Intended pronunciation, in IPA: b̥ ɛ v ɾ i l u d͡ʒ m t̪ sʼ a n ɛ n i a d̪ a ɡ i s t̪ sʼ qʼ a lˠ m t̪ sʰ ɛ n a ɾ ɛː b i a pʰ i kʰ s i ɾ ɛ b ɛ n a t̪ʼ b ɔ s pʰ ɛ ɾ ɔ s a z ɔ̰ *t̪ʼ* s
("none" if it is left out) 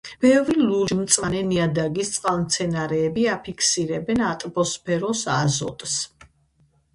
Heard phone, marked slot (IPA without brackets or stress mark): t̪ʼ